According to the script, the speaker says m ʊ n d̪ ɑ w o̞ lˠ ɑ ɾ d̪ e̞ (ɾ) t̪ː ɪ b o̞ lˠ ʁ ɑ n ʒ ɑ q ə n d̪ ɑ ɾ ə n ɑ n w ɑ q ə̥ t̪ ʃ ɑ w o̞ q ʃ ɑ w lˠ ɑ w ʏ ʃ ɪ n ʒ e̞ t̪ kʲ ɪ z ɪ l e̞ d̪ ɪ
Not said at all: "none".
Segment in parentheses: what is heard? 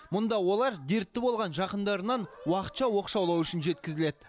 ɾ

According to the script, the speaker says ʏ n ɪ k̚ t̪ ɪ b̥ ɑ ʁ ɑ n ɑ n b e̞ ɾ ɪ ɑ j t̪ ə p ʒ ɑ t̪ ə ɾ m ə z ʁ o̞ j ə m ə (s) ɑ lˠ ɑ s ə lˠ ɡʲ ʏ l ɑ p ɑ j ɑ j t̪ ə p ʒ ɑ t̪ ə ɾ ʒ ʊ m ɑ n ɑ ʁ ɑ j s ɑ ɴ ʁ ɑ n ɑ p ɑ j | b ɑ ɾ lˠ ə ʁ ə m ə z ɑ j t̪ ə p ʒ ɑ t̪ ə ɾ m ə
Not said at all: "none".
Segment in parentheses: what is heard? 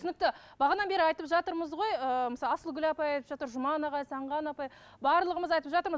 s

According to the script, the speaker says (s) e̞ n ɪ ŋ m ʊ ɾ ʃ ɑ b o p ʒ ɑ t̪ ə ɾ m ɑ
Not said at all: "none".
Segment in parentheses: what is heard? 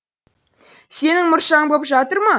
s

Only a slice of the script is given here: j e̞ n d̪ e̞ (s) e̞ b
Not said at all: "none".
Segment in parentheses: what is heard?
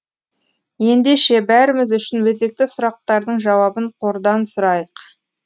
ʃ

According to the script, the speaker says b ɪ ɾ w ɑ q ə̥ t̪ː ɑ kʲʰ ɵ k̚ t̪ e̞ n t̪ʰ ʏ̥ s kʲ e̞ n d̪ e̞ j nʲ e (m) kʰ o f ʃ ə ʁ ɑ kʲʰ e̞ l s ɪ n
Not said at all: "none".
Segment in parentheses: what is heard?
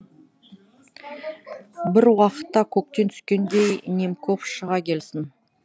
m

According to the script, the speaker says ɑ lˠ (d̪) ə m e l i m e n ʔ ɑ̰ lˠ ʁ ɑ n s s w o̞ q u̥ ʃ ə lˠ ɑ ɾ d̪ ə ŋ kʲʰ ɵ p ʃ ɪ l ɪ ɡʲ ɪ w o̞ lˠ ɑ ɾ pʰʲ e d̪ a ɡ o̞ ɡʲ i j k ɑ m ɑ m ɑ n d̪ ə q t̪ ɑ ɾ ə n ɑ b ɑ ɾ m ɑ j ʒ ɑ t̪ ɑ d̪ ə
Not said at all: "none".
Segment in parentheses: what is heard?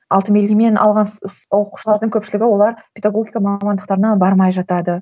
t̪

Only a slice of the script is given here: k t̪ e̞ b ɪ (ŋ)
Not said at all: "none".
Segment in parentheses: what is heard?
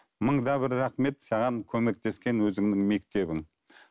ŋ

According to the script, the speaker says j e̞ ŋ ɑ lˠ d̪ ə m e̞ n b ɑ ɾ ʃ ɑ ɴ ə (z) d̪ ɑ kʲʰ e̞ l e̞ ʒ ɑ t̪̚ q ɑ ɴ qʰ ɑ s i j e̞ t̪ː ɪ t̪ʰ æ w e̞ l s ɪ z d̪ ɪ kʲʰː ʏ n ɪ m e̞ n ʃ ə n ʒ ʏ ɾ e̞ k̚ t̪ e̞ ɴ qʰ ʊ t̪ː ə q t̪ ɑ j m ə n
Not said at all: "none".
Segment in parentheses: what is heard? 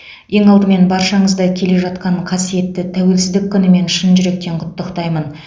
z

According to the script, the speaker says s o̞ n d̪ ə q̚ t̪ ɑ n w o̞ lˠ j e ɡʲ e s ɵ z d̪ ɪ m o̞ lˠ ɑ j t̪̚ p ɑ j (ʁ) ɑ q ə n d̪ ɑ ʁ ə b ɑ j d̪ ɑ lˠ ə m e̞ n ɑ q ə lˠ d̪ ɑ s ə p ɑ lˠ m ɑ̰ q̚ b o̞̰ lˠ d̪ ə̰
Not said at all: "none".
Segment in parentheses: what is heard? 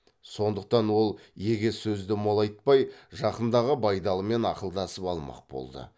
ʒ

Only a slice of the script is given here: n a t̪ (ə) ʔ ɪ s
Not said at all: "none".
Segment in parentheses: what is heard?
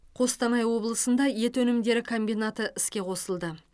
ə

